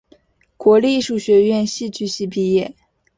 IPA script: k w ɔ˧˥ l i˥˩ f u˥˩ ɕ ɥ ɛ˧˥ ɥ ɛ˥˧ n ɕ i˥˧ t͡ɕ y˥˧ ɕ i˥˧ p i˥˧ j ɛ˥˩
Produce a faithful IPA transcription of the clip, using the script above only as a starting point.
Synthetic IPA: k w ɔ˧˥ l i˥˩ ʂ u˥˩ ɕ ɥ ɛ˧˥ ɥ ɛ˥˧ n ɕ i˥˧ t͡ɕ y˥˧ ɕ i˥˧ p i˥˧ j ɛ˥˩